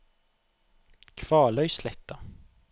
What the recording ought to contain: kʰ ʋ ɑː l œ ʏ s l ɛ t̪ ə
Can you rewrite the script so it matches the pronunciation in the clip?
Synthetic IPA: kʰ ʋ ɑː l œ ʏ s l ɛ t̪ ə